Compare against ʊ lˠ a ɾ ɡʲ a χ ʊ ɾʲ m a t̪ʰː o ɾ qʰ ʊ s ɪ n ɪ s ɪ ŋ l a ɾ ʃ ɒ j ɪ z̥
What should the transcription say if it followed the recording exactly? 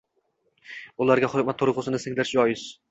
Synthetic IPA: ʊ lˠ a ɾ ɡʲ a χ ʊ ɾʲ m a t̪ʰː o ɾ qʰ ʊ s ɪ n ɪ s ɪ ŋ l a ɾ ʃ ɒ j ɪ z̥